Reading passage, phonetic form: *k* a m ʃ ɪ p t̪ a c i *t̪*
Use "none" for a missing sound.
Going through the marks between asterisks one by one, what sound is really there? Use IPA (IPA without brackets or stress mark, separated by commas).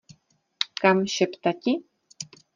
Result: k, none